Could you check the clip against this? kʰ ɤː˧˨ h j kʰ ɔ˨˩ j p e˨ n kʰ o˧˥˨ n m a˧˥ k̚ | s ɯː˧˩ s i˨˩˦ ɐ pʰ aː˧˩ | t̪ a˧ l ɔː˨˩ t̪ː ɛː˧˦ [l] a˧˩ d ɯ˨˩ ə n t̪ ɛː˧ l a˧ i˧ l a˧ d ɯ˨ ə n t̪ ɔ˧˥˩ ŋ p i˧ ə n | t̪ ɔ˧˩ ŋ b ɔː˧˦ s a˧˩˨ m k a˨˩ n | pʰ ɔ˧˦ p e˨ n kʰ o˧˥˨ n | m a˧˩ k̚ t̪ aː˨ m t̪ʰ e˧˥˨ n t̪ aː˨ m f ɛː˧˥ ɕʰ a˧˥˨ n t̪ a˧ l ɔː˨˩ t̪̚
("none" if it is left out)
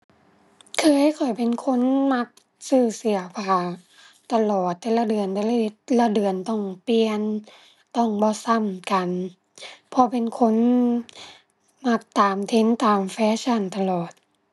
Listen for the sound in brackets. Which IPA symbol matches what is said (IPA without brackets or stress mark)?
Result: l